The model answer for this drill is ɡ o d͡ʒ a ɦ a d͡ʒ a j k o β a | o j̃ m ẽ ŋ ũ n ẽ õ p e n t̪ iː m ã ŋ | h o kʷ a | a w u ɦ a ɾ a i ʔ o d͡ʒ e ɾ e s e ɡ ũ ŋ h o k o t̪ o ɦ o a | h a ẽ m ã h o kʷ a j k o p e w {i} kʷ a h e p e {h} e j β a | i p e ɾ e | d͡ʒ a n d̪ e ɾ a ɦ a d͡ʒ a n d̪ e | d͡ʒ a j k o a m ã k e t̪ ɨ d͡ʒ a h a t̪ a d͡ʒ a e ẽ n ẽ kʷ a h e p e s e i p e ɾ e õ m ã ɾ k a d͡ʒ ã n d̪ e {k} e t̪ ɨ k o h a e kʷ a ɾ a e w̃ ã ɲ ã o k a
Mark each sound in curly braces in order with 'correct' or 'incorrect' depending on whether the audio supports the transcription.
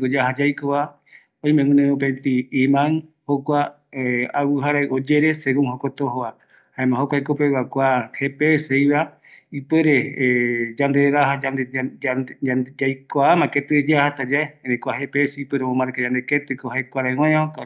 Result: incorrect, incorrect, correct

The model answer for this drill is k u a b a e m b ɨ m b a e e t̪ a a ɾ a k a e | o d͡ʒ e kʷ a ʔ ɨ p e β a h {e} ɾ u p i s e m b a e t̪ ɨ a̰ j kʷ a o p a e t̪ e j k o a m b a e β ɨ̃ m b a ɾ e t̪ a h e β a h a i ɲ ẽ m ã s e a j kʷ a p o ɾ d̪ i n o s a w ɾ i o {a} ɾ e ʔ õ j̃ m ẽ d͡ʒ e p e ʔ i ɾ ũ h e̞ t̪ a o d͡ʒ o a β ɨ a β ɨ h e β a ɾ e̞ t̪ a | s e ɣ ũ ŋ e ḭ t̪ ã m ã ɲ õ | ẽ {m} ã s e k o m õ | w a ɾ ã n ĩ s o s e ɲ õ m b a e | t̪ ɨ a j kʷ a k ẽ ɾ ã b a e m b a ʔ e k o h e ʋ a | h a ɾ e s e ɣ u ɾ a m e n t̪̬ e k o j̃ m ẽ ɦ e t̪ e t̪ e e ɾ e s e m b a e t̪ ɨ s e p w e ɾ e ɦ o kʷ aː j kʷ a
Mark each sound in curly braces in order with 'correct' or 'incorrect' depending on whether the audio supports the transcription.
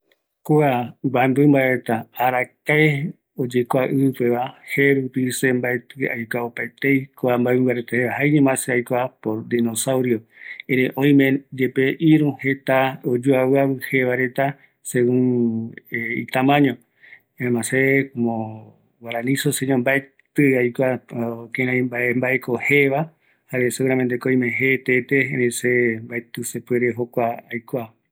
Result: correct, incorrect, correct

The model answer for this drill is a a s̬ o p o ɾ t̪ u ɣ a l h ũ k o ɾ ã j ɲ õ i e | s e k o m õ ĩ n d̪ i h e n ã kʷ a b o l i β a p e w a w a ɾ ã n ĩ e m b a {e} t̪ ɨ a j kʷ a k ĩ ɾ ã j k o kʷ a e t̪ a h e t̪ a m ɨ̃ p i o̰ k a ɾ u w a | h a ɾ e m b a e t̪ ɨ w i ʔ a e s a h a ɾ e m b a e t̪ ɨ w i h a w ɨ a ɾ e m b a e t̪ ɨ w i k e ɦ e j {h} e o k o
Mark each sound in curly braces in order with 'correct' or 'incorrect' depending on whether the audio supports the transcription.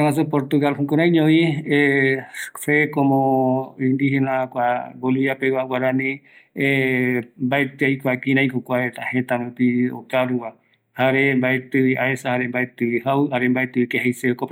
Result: correct, incorrect

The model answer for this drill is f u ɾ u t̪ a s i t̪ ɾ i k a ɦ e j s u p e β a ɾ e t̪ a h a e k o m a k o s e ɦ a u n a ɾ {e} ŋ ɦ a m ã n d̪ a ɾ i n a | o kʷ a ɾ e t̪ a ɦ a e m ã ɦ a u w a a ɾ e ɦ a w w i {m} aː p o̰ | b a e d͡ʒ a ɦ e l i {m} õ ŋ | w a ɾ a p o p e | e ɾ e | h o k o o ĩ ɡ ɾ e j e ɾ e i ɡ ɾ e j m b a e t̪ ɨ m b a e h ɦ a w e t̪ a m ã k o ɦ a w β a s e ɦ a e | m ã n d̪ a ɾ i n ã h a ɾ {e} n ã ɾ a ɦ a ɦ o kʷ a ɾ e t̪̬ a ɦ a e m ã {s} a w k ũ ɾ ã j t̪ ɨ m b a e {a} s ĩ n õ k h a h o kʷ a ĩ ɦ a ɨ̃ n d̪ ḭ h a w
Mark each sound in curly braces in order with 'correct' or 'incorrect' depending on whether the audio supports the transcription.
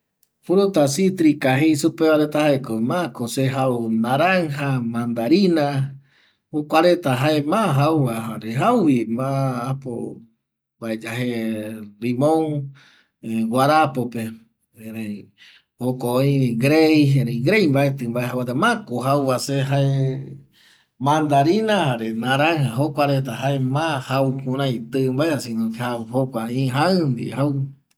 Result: incorrect, correct, correct, correct, incorrect, correct

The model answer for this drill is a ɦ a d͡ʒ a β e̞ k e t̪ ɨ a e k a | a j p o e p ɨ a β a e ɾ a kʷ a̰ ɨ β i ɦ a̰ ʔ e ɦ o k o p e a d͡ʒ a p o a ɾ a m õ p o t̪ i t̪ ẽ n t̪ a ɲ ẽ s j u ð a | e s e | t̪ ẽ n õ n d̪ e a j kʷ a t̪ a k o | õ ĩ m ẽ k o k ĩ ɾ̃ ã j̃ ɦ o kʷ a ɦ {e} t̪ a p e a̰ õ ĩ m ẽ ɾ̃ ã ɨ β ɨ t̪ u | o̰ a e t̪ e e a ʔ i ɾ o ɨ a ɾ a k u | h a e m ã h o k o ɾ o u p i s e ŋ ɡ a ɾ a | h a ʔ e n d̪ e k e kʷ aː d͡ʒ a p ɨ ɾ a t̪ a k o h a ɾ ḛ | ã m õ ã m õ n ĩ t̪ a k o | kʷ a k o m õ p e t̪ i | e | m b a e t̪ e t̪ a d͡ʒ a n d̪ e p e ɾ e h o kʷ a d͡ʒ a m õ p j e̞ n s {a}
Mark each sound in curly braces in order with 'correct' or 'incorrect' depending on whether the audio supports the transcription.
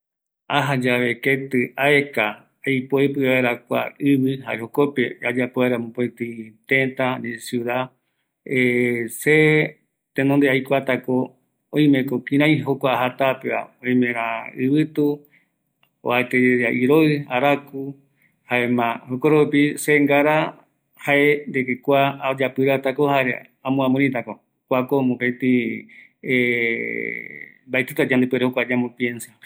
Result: incorrect, correct

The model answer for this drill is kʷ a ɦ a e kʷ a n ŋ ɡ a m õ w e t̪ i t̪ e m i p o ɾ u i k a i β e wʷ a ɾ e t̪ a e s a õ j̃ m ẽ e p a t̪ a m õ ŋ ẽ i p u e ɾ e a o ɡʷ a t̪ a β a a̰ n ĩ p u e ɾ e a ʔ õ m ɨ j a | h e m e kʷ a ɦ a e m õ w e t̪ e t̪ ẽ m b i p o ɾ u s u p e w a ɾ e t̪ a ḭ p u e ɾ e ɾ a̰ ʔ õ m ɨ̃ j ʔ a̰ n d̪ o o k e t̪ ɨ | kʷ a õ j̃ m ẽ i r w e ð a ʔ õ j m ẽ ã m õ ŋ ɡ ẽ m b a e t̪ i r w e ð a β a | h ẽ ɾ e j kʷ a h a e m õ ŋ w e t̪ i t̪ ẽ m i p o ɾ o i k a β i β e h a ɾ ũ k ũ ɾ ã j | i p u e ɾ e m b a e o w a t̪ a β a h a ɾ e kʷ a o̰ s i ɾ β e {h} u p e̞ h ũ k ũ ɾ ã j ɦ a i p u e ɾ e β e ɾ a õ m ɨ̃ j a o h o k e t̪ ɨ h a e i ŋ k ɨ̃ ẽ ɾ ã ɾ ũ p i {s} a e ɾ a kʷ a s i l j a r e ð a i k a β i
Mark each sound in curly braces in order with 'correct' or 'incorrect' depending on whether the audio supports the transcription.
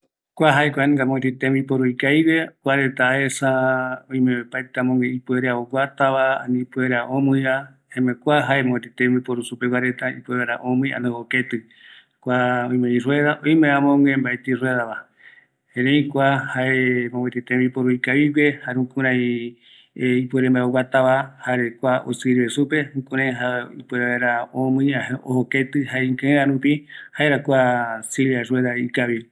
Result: incorrect, incorrect

